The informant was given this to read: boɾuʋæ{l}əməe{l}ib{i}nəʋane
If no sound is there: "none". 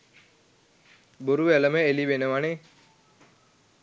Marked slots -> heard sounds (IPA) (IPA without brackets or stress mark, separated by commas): l, l, e